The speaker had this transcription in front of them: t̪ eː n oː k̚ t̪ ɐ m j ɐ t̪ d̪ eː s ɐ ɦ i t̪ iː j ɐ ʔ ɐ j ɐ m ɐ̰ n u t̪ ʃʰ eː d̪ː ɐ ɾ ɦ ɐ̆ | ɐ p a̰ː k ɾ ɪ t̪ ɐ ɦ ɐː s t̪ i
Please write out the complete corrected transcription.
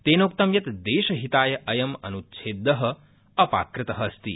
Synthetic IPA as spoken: t̪ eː n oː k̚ t̪ ɐ m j ɐ t̪ d̪ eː ʃ ɐ ɦ i t̪ aː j ɐ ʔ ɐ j ɐ m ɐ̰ n u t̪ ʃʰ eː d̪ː ɐ ɦ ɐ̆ | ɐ p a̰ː k ɾ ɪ t̪ ɐ ɦ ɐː s t̪ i